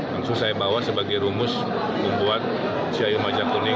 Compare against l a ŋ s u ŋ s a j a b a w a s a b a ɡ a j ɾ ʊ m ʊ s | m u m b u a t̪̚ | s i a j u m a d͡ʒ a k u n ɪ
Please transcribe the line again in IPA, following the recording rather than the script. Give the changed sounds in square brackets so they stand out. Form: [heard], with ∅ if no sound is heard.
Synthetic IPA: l a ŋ s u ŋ s a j a b a w a s [ə] b a ɡ a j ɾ [u] m ʊ s | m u m b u a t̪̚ | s i a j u m a d͡ʒ a k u n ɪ